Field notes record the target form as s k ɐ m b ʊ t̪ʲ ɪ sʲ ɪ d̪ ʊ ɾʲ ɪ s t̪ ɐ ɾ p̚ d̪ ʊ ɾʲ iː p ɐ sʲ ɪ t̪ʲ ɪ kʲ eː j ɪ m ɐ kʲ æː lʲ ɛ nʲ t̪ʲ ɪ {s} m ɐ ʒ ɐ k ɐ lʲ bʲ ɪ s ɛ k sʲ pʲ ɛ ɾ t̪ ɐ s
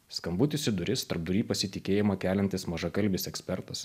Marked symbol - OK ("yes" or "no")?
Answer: yes